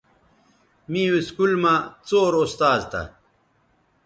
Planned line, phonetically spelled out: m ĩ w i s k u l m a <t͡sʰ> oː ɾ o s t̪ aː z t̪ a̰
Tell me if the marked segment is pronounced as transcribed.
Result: no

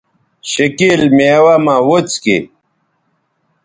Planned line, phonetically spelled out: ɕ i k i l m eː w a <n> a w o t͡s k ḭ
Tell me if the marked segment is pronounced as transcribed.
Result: no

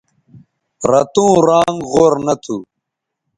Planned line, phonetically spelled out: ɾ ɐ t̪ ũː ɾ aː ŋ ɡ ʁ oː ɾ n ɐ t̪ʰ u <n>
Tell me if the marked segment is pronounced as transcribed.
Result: no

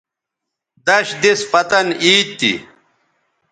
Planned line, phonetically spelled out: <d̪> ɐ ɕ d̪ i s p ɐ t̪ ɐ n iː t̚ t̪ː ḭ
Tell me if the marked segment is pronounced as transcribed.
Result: yes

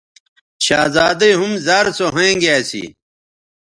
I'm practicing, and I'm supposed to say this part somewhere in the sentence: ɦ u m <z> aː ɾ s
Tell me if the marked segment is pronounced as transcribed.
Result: yes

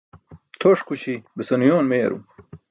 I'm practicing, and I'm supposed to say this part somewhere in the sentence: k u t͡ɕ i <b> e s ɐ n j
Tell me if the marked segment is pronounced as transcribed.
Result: yes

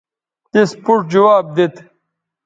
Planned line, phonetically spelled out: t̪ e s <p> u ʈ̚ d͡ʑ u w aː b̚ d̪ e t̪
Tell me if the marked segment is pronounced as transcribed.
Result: yes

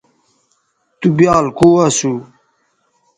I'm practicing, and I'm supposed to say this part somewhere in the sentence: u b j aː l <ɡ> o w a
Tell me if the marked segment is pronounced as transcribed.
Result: no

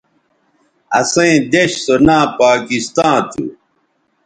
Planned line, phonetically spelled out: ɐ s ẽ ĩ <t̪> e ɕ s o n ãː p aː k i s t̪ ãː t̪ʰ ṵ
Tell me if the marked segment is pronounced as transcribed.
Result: no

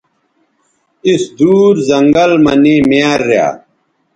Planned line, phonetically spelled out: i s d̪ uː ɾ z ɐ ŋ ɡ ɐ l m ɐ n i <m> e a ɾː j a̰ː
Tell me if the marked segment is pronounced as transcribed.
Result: yes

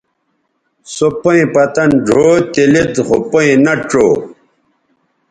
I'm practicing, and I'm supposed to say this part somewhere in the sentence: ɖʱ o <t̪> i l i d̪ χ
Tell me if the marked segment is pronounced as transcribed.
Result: yes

